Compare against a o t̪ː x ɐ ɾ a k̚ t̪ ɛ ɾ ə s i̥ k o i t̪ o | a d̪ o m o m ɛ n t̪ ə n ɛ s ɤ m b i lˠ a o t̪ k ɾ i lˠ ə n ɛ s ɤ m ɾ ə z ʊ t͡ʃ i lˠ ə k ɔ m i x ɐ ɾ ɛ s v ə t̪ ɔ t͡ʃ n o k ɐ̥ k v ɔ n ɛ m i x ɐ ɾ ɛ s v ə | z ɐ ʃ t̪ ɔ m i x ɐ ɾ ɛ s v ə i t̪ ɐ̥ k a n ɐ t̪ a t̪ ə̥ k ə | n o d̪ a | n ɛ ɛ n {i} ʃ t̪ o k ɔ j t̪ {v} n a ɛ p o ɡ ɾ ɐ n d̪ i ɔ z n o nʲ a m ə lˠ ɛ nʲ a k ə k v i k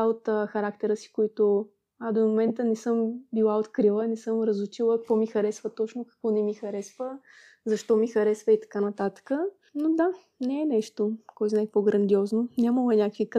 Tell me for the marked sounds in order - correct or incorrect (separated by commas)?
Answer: incorrect, incorrect